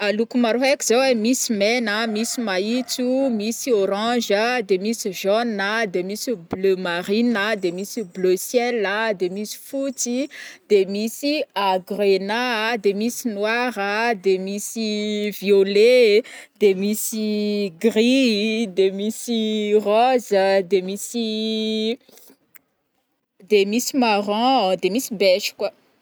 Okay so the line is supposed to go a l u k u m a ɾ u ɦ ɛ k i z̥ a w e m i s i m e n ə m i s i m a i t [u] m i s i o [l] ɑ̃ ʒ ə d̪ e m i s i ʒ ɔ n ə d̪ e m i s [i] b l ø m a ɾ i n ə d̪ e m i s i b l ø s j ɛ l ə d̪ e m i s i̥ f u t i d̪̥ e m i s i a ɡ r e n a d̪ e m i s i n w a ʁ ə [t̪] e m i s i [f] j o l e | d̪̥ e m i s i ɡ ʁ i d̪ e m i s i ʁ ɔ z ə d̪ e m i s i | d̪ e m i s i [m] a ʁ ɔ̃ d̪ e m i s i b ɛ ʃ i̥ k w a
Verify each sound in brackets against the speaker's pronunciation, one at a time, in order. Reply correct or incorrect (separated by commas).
correct, incorrect, correct, incorrect, incorrect, correct